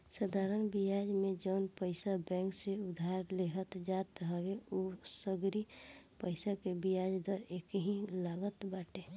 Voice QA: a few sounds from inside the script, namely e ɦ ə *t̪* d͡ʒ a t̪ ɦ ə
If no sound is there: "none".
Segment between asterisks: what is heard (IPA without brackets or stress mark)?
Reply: t̪